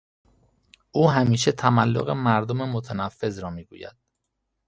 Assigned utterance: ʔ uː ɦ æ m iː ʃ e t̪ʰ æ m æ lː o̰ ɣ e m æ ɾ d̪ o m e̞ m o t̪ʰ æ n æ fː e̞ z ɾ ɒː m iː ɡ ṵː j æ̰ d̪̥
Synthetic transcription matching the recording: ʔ uː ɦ æ m iː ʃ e t̪ʰ æ m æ lː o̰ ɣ e m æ ɾ d̪ o m e̞ m o t̪ʰ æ n æ fː e̞ z ɾ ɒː m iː ɡ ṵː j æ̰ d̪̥